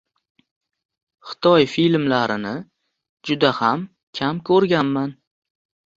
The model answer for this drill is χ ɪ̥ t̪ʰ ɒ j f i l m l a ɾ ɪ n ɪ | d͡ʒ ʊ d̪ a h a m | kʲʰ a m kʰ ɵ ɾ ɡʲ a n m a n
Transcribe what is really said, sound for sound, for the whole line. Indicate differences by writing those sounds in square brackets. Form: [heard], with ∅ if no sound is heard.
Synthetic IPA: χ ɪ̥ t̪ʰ ɒ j f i l m l a ɾ ɪ n ɪ | d͡ʒ ʊ d̪ a h a m | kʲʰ a m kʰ ɵ ɾ ɡʲ a n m a n